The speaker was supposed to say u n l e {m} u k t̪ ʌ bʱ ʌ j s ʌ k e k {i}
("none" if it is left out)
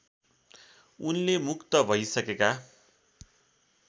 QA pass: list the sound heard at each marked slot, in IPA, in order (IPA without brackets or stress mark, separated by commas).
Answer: m, a